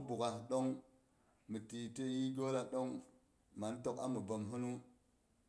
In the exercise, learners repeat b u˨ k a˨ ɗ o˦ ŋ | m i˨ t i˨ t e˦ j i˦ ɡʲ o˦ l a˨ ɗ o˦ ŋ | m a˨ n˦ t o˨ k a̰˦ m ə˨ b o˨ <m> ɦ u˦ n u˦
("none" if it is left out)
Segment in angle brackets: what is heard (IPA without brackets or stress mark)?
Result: m